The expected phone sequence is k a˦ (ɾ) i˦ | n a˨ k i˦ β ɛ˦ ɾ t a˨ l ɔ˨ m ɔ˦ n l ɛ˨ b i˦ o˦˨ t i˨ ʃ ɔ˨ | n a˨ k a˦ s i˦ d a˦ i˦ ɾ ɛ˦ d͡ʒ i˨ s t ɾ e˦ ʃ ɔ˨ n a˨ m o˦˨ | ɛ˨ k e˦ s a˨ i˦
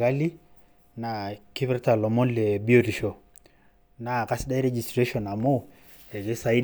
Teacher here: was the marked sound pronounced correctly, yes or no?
no